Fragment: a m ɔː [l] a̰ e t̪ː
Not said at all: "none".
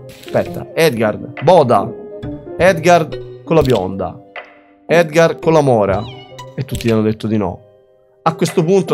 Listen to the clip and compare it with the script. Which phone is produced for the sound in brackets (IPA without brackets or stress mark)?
ɾ